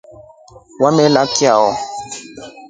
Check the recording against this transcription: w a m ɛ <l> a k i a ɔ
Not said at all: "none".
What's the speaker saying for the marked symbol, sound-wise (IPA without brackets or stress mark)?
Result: l